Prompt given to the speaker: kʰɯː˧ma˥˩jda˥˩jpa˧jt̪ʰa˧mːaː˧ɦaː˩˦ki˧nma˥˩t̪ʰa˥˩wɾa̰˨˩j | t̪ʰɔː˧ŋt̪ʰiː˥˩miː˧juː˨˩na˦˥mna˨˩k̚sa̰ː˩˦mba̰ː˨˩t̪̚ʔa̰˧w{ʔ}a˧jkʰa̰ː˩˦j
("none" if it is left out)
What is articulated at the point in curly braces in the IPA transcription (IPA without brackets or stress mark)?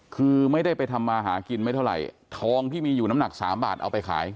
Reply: p